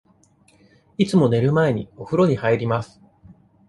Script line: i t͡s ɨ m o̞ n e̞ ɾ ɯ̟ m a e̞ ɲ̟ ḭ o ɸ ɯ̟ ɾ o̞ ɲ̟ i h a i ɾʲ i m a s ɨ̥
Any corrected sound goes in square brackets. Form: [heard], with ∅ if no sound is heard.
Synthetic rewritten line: i t͡s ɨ m o̞ n e̞ ɾ ɯ̟ m a e̞ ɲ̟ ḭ o ɸ ɯ̟ ɾ o̞ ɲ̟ i h a i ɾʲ i m a s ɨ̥